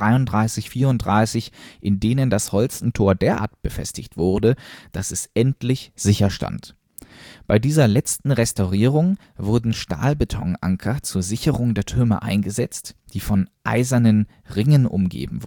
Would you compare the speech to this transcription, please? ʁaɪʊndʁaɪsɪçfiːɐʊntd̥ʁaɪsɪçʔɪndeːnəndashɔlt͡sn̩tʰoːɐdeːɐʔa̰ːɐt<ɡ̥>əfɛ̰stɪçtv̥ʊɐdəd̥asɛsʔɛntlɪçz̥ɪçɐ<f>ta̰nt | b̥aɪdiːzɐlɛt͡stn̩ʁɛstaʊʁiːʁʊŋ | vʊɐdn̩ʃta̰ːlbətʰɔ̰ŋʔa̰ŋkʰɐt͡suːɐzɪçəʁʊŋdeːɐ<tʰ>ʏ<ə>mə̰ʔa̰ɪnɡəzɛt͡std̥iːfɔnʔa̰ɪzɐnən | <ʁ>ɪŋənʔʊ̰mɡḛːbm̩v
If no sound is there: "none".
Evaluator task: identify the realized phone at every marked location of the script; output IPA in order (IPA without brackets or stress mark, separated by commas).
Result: b̥, ʃ, tʰ, ɐ, ʁ